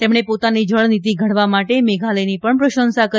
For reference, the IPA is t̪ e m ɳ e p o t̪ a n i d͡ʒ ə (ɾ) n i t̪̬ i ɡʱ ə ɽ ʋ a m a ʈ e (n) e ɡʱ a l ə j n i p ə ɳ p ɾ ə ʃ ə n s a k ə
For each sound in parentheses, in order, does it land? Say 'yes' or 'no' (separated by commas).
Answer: no, no